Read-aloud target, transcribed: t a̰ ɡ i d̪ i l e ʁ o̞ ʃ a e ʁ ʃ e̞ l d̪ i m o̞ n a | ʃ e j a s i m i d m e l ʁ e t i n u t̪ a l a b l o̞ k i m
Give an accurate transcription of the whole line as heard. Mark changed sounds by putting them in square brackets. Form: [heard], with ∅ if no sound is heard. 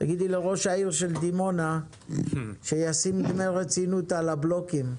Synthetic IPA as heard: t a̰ ɡ i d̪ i l e ʁ o̞ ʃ a [i] ʁ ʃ e̞ l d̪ i m o̞ n a | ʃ e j a s i m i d m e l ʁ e [t͡s] i n u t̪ a l a b l o̞ k i m

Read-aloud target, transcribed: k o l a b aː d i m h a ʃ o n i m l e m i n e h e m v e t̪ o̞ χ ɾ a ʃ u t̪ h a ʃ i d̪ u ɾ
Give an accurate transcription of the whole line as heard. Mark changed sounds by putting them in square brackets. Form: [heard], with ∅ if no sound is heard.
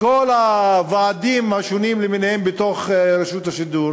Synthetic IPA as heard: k o l a [v] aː d i m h a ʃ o n i m l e m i n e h e m [b] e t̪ o̞ χ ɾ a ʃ u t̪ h a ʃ i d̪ u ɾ

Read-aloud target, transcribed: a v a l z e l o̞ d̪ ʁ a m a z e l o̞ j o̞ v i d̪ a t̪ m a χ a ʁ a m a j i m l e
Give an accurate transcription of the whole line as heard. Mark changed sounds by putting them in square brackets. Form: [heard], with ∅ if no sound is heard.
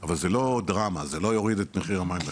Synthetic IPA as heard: a v a l z e l o̞ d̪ ʁ a m a z e l o̞ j o̞ [ʁ] i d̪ [e] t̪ m [e] χ [i] ʁ a m a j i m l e

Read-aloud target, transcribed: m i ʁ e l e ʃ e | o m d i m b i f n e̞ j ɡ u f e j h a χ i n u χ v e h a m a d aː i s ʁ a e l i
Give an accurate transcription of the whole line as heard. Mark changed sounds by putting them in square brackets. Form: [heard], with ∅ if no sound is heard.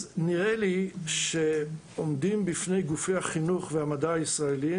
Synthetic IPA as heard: [n] i ʁ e l [i] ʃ e | o m d i m b i f n e̞ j ɡ u f e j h a χ i n u χ v e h a m a d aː i s ʁ a e l i

